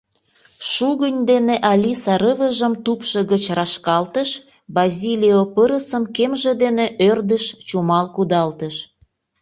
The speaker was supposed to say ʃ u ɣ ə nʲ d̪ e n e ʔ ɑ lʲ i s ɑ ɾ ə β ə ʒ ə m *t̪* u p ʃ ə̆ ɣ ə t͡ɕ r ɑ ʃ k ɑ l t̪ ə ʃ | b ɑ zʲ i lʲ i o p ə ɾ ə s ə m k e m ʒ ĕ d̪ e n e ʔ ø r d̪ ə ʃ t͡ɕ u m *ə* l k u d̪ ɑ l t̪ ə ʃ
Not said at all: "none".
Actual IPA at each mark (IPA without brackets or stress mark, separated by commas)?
t̪, ɑ